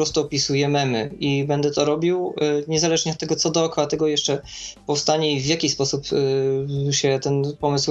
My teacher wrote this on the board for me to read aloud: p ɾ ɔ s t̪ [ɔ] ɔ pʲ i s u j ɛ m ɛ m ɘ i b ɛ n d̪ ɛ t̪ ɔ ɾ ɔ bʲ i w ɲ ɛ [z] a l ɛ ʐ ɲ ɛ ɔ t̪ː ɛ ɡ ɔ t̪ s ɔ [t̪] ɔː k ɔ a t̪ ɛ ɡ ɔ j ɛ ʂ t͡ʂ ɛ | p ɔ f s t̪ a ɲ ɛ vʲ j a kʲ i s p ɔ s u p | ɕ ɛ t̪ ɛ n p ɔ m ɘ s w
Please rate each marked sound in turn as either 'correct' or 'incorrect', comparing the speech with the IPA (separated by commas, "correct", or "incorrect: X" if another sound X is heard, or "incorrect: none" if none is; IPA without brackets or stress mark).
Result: incorrect: u, correct, incorrect: d̪